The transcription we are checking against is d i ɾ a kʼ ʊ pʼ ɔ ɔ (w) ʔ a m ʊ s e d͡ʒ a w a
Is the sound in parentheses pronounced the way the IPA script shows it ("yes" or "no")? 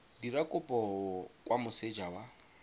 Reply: yes